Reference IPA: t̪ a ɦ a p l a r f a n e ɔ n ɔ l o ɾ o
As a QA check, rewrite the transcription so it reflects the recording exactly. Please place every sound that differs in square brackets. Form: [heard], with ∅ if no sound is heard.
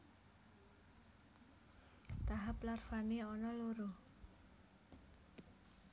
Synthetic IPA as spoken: t̪ a ɦ a p l a r f a n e ɔ n ɔ l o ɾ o